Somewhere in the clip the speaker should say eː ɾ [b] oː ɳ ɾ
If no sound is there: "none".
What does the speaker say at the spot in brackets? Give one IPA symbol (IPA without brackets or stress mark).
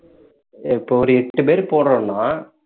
p